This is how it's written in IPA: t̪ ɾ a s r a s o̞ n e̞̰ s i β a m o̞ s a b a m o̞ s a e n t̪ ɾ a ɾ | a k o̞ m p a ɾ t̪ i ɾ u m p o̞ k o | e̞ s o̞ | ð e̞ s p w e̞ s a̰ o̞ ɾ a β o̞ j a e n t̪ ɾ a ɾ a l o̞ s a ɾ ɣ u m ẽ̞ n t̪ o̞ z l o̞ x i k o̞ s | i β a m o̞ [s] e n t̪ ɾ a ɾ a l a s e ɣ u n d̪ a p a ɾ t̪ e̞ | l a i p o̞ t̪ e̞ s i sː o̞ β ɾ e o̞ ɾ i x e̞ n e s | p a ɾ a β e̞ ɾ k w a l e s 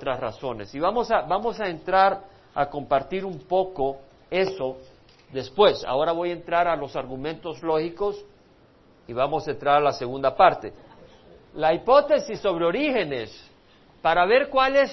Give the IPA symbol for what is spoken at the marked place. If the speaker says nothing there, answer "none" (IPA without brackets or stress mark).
s